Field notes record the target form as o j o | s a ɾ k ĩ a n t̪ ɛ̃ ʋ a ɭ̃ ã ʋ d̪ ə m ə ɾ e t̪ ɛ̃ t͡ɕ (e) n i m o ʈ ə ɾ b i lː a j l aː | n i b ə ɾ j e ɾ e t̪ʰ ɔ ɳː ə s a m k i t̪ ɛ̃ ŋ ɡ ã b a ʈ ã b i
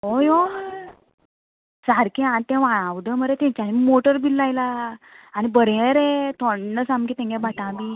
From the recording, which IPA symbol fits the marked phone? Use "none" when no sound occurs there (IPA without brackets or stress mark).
a